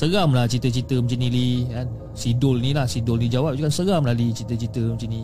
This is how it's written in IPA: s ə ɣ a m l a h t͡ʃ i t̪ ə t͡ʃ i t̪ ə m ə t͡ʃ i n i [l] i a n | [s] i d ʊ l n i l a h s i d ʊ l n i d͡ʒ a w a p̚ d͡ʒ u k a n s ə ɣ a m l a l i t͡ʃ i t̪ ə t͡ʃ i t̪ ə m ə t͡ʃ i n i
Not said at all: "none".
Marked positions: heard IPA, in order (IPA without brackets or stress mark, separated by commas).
l, s